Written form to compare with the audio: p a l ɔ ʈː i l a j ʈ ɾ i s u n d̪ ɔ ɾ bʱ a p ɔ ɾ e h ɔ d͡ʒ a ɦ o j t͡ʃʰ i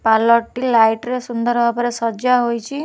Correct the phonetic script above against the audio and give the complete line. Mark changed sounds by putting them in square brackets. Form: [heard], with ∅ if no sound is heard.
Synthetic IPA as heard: p a l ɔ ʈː i l a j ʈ ɾ [e] s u n d̪ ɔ ɾ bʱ a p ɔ ɾ e [s] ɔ d͡ʒ a ɦ o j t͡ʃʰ i